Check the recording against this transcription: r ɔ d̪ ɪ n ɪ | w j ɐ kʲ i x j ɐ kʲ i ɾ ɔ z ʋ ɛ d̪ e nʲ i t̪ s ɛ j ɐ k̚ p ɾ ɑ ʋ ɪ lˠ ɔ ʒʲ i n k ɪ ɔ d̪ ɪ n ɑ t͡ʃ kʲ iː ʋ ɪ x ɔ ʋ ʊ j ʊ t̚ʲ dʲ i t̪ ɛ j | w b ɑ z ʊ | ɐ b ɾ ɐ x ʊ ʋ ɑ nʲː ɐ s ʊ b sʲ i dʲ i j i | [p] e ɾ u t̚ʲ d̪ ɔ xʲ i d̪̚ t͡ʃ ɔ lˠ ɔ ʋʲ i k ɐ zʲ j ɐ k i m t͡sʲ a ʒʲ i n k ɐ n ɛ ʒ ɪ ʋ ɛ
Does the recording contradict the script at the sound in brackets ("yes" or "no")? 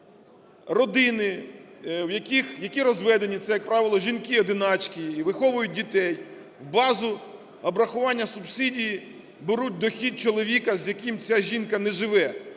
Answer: yes